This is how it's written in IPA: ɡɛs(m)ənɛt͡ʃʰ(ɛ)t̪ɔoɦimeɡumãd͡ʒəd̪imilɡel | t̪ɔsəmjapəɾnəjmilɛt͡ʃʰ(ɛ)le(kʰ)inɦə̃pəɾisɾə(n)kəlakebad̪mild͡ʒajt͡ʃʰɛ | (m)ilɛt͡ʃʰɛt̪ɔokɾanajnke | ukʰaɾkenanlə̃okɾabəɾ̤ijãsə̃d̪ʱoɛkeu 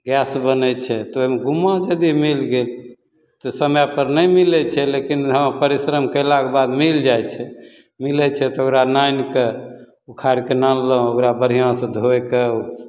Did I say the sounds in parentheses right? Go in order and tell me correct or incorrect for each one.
incorrect: b, correct, correct, incorrect: k, incorrect: m, correct

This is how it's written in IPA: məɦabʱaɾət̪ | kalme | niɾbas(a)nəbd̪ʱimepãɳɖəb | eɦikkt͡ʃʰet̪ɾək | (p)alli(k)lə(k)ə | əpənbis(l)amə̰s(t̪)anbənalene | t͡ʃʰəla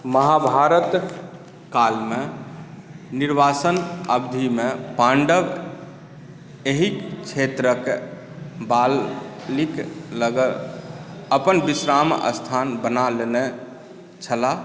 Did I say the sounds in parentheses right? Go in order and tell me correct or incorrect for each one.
incorrect: ə, incorrect: b, correct, incorrect: ɡ, incorrect: ɾ, incorrect: t̪ʰ

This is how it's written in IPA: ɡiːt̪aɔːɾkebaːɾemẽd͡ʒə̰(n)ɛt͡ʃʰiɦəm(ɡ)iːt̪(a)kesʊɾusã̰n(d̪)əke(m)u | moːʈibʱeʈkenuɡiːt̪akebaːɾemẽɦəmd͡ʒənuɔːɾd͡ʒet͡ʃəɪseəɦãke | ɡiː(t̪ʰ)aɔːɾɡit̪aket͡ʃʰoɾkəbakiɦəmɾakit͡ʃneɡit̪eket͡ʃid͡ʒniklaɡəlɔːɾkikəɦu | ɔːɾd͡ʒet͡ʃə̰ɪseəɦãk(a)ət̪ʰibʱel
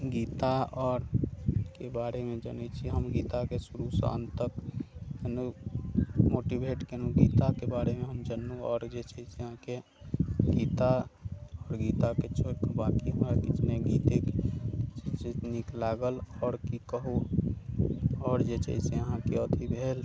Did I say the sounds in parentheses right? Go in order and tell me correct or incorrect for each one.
correct, correct, correct, incorrect: t̪, incorrect: n, incorrect: t̪, incorrect: e

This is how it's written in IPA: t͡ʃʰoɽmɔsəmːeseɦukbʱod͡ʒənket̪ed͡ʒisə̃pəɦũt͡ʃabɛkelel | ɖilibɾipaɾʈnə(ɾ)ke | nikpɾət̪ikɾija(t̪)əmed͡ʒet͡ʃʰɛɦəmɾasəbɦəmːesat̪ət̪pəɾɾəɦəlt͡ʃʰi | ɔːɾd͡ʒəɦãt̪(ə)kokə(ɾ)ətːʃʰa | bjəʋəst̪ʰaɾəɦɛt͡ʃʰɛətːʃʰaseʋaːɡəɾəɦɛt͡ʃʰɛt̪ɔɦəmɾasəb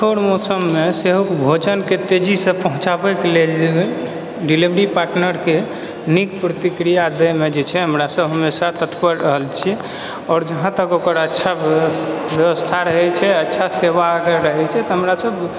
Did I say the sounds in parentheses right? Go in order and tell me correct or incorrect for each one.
correct, incorrect: d̪, correct, correct

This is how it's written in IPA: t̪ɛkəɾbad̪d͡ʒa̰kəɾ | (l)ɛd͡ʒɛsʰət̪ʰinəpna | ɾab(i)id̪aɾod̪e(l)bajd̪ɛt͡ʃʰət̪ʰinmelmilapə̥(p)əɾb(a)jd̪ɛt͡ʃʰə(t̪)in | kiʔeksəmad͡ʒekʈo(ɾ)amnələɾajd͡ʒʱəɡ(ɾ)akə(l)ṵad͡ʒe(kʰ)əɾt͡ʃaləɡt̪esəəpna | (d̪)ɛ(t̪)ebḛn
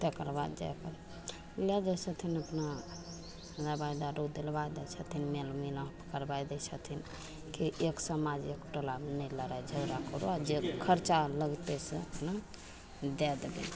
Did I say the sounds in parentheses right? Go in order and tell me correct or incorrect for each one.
correct, incorrect: a, correct, incorrect: k, correct, incorrect: t̪ʰ, incorrect: l, correct, incorrect: ɾ, correct, correct, incorrect: d̪

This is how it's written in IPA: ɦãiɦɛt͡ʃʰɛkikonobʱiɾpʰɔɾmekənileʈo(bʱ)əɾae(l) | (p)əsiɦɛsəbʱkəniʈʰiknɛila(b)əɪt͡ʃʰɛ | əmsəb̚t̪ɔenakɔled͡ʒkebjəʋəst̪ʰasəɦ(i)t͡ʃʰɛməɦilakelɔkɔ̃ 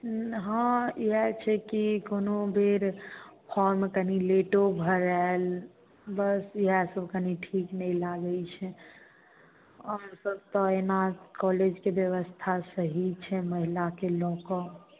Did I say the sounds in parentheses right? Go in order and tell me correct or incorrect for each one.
correct, correct, incorrect: b, incorrect: ɡ, correct

